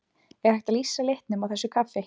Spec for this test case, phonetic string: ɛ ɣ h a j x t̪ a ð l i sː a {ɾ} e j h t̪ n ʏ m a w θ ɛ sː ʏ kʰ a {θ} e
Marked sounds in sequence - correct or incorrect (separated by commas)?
incorrect, incorrect